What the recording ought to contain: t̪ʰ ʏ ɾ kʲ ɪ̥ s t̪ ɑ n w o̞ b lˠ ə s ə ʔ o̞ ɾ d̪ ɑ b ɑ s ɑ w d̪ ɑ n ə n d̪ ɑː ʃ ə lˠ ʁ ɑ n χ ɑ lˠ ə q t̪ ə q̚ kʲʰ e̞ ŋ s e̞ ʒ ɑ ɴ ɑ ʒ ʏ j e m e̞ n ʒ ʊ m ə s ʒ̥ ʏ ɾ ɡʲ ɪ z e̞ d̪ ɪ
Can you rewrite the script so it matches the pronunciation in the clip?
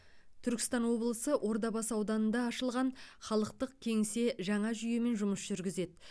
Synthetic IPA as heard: t̪ʰ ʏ ɾ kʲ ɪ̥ s t̪ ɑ n w o̞ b lˠ ə s ə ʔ o̞ ɾ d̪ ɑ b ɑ s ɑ w d̪ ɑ n ə n d̪ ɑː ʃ ə lˠ ʁ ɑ n χ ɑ lˠ ə q t̪ ə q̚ kʲʰ e̞ ŋ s e̞ ʒ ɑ ɴ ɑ ʒ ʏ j e m e̞ n ʒ ʊ m ə s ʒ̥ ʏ ɾ ɡʲ ɪ z e̞ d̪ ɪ

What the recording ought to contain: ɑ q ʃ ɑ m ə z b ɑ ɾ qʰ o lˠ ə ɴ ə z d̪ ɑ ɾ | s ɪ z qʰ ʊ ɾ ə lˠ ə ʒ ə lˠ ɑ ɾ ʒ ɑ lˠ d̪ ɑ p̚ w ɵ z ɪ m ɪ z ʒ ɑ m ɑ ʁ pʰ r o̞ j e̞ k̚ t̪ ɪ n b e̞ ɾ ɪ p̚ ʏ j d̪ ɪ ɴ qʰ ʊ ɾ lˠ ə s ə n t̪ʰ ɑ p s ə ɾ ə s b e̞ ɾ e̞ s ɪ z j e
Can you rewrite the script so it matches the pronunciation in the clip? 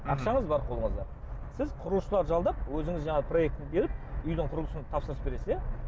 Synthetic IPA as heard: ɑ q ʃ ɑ ɴ ə z b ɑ ɾ qʰ o lˠ ə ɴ ə z d̪ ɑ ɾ | s ɪ z qʰ ʊ ɾ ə lˠ ə ʃ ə lˠ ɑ ɾ ʒ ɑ lˠ d̪ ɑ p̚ w ɵ z ɪ ŋ ɪ z ʒ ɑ ɴ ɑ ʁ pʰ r o̞ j e̞ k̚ t̪ ɪ n b e̞ ɾ ɪ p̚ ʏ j d̪ ɪ ɴ qʰ ʊ ɾ lˠ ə s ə n t̪ʰ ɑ p s ə ɾ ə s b e̞ ɾ e̞ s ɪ z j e

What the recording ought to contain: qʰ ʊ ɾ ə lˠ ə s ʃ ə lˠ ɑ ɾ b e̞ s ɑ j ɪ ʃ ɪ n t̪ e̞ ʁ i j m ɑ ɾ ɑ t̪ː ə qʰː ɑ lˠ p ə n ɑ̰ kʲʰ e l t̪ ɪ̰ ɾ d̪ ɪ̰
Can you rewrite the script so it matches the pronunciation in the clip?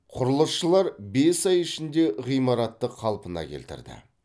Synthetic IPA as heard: qʰ ʊ ɾ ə lˠ ə s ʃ ə lˠ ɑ ɾ b e̞ s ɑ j ɪ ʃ ɪ n d̪ e̞ ʁ i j m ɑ ɾ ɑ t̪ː ə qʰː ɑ lˠ p ə n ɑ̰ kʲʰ e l t̪ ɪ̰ ɾ d̪ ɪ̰

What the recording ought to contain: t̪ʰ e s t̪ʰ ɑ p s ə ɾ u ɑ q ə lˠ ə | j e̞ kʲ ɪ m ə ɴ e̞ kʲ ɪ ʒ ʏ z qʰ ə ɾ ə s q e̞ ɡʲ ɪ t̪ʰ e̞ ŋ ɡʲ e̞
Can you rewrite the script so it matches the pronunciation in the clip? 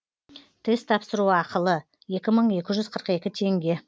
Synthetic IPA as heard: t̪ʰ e s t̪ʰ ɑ p s ə ɾ u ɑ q ə lˠ ə | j e̞ kʲ ɪ m ə ɴ e̞ kʲ ɪ ʒ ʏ z qʰ ə ɾ ə q e̞ kʲ ɪ t̪ʰ e̞ ŋ ɡʲ e̞

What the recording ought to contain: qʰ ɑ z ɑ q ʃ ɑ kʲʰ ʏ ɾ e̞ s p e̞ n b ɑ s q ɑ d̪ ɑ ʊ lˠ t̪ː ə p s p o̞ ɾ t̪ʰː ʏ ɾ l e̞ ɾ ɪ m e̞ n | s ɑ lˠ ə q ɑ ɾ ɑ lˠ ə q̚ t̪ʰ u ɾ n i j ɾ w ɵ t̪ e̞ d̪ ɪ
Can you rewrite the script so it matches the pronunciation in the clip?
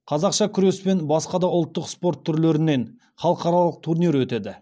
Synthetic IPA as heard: qʰ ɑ z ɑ q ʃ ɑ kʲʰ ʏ ɾ e̞ s p e̞ n b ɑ s q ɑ d̪ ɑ ʊ lˠ t̪ː ə q s p o̞ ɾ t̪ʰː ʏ ɾ l e̞ ɾ ɪ n e̞ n | χ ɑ lˠ ə q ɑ ɾ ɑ lˠ ə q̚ t̪ʰ u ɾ n i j ɾ w ɵ t̪ e̞ d̪ ɪ

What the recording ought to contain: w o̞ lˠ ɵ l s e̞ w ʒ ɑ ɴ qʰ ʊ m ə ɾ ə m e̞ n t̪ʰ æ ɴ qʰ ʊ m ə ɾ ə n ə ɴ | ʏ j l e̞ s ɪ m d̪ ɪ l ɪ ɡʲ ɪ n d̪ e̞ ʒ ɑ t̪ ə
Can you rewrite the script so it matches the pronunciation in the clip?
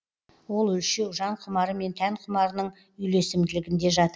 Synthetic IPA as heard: w o̞ lˠ ɵ l ʃ e̞ w ʒ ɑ ɴ qʰ ʊ m ɑ ɾ ə m e̞ n t̪ʰ æ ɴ qʰ ʊ m ɑ ɾ ə n ə ɴ | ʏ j l e̞ s ɪ m d̪ ɪ l ɪ ɡʲ ɪ n d̪ e̞ ʒ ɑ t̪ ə

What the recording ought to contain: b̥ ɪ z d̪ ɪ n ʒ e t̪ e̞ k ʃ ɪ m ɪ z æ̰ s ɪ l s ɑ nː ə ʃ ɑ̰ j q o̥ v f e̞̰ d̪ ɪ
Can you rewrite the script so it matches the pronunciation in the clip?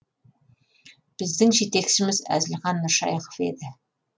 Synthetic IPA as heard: b̥ ɪ z d̪ ɪ ŋ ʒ e t̪ e̞ k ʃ ɪ m ɪ z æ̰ z ɪ l χ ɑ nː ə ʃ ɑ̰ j q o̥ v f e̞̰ d̪ ɪ

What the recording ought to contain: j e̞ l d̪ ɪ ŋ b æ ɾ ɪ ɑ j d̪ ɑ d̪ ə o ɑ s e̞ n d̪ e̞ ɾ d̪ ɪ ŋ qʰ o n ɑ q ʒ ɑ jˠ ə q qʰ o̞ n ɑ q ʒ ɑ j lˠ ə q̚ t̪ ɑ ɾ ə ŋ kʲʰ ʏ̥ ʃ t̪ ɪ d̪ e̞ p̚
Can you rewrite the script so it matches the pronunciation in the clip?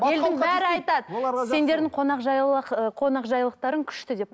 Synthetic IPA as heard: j e̞ l d̪ ɪ ŋ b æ ɾ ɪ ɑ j t̪ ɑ d̪ ə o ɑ s e̞ n d̪ e̞ ɾ d̪ ɪ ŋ qʰ o n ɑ q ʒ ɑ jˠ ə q qʰ o̞ n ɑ q ʒ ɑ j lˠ ə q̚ t̪ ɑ ɾ ə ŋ kʲʰ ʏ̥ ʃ t̪ ɪ d̪ e̞ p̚

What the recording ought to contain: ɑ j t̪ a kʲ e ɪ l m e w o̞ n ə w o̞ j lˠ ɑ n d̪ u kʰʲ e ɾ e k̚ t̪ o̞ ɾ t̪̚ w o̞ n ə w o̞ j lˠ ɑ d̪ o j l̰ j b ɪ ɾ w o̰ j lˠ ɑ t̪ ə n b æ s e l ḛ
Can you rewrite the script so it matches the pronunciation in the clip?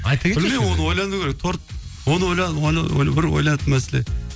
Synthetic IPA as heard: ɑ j t̪ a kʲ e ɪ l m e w o̞ n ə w o̞ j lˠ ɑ n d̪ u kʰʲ e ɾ e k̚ t̪ʰ o̞ ɾ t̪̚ w o̞ n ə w o̞ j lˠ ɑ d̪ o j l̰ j b ɪ ɾ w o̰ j lˠ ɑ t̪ ə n m æ s e l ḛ

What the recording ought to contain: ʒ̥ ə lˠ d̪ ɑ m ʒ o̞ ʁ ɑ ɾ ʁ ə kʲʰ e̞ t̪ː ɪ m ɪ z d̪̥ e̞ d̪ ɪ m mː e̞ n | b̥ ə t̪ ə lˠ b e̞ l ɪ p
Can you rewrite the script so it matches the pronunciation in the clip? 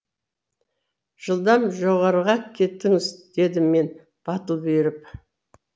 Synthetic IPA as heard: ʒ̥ ə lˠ d̪ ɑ m ʒ o̞ ʁ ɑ ɾ ʁ ɑ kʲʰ e̞ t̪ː ɪ ŋ ɪ z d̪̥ e̞ d̪ ɪ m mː e̞ n | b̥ ɑ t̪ ə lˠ b e̞ ɾ ɪ p

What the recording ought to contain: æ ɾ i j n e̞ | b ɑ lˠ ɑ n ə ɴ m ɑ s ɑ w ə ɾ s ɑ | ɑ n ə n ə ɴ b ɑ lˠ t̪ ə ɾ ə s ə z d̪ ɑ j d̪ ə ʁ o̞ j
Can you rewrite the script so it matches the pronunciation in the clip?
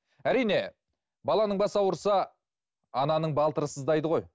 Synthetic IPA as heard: æ ɾ i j n e̞ | b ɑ lˠ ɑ n ə ɴ b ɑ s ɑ w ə ɾ s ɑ | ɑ n ɑ n ə ɴ b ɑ lˠ t̪ ə ɾ ə s ə z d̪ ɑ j d̪ ə ʁ o̞ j

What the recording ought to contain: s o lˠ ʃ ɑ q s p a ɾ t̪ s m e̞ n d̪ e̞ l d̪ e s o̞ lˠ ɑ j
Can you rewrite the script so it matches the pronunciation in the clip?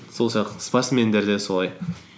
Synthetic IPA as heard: s o lˠ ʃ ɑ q s p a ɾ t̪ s m e̞ n d̪ e̞ ɾ d̪ e s o̞ lˠ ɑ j

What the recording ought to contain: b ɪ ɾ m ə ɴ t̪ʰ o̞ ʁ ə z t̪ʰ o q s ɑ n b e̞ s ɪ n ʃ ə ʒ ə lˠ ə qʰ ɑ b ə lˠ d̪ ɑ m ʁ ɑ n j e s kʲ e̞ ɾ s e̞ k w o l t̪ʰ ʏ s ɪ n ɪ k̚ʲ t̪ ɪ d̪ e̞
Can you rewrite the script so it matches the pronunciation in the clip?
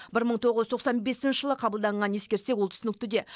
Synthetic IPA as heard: b ɪ ɾ m ə ɴ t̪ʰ o̞ ʁ ə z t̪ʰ o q s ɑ n b e̞ s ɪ n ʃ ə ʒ ə lˠ ə qʰ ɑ b ə lˠ d̪ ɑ ɴ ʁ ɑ n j e s kʲ e̞ ɾ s e̞ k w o l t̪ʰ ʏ s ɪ n ɪ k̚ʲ t̪ ɪ d̪ e̞

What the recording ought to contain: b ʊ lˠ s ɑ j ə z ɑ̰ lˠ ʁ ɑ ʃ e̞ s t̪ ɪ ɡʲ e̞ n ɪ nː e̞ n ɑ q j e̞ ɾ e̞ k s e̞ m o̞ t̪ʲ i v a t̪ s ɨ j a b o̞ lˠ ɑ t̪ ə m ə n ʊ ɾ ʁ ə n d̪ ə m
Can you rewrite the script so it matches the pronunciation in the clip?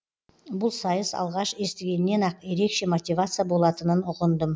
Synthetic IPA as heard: b ʊ lˠ s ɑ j ə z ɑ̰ lˠ ʁ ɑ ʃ e̞ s t̪ ɪ ɡʲ e̞ n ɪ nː e̞ n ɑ q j e̞ ɾ e̞ k ʃ e̞ m o̞ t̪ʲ i v a t̪ s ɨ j a b o̞ lˠ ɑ t̪ ə n ə n ʊ ʁ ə n d̪ ə m

